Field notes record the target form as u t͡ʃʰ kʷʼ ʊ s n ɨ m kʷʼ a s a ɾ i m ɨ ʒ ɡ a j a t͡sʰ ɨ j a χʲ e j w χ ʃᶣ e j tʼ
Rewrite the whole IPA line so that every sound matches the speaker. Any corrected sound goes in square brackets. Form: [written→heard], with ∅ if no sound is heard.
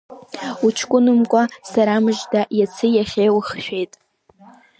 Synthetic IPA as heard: u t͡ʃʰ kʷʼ ʊ [s→∅] n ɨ m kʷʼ a s a ɾ [i→a] m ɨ ʒ [ɡ→d] a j a t͡sʰ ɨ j a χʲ e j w χ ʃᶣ e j tʼ

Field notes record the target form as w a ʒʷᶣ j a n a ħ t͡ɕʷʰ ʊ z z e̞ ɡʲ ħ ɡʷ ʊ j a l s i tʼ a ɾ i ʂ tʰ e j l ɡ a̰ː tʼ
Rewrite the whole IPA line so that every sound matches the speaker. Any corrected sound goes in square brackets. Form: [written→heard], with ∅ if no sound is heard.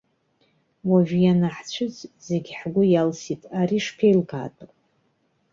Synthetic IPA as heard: w a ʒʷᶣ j a n a ħ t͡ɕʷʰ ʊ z z e̞ ɡʲ ħ ɡʷ ʊ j a l s i tʼ a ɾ i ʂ [tʰ→pʰ] e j l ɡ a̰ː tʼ

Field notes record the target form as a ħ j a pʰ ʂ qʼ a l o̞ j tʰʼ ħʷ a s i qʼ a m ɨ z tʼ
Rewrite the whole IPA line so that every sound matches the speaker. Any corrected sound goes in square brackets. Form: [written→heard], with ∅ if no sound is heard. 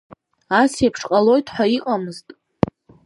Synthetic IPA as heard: a [ħ→s] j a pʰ ʂ qʼ a l o̞ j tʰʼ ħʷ a [s→∅] i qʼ a m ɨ z tʼ

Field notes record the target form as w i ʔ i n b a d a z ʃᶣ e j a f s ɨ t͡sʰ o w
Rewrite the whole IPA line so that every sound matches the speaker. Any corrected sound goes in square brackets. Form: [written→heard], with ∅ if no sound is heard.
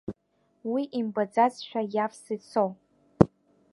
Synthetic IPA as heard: w i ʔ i [n→m] b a [d→d͡z] a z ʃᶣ [e→a] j a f s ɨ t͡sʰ o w

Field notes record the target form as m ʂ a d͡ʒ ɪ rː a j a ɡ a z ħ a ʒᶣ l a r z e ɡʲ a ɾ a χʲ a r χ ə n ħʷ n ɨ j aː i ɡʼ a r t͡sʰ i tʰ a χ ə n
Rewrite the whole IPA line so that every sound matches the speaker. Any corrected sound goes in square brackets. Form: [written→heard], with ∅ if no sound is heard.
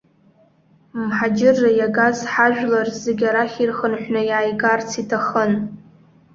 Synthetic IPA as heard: m [ʂ→ħ] a d͡ʒ ɪ rː a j a ɡ a z ħ a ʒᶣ l a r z e ɡʲ a ɾ a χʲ [a→i] r χ ə n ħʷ n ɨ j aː [i→j] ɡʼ a r t͡sʰ i tʰ a χ ə n

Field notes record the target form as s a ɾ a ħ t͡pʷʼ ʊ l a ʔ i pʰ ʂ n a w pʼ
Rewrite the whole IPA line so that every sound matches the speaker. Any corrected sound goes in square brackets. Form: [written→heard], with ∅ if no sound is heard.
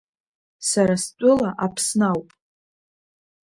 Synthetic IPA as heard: s a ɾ a [ħ→s] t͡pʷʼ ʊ l a ʔ [i→a] pʰ [ʂ→s] n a w pʼ

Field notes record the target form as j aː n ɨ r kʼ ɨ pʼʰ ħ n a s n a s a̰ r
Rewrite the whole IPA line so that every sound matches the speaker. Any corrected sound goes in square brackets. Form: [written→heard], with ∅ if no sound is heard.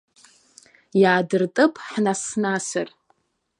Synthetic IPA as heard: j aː [n→d] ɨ r [kʼ→tʼ] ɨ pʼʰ ħ n a s n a s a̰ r

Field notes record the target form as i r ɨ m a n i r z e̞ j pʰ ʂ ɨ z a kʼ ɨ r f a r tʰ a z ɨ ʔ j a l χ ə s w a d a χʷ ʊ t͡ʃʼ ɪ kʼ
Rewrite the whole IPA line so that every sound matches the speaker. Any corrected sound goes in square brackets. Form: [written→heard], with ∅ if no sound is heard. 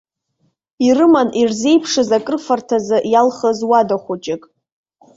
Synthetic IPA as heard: i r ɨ m a n i r z e̞ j pʰ ʂ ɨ z a kʼ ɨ r f a r tʰ a z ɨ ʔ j a l χ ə [s→z] w a d a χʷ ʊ t͡ʃʼ ɪ kʼ

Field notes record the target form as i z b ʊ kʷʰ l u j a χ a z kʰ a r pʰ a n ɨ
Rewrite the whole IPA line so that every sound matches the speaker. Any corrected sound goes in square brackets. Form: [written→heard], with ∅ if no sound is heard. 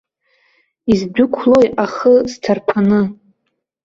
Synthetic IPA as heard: i z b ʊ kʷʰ l [u→o] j a χ [a→ə] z [kʰ→tʰ] a r pʰ a n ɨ

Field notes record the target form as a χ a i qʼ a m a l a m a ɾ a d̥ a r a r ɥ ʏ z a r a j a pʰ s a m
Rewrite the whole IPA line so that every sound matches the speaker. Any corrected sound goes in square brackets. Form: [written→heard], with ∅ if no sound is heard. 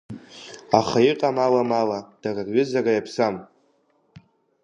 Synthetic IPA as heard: a χ a i qʼ a m a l a m a [ɾ→l] a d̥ a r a r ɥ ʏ z a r a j a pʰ s a m

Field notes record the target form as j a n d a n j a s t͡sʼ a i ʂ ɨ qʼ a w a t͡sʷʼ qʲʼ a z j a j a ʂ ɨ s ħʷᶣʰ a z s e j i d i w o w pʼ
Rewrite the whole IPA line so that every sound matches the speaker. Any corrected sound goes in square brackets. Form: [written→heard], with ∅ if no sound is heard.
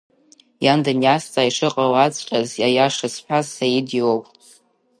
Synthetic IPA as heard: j a n d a n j a s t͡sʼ a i ʂ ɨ qʼ a w a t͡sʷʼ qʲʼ a z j a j a ʂ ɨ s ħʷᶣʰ a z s [e→a] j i d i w o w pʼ

